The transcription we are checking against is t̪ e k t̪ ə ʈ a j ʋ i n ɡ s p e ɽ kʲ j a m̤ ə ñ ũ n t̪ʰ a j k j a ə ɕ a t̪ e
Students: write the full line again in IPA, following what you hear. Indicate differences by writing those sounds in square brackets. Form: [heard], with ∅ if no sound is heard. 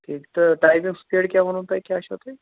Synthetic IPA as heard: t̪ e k t̪ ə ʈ a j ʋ i [ŋ] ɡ s p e ɽ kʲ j a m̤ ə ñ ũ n [t̪] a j k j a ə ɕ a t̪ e